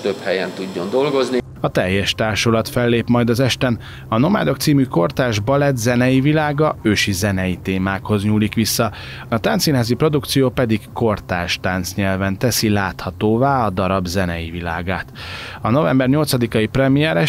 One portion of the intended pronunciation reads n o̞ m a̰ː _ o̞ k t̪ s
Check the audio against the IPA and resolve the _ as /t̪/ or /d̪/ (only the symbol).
d̪